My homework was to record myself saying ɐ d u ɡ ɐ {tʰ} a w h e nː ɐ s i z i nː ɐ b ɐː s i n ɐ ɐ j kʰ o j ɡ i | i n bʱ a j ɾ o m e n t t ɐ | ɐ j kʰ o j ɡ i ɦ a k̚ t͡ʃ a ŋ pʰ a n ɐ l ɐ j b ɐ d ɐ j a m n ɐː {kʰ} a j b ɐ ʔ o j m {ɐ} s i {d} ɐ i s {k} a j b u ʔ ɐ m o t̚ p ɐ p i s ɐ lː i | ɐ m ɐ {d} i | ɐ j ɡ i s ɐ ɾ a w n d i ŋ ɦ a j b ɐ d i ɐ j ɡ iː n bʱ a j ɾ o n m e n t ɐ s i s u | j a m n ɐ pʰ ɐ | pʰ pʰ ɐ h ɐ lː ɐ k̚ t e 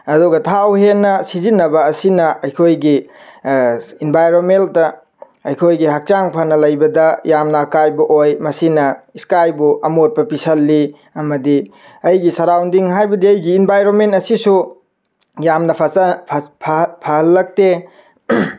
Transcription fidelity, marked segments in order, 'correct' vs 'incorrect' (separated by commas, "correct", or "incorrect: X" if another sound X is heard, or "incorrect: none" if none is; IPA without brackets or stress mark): correct, incorrect: k, correct, incorrect: n, correct, correct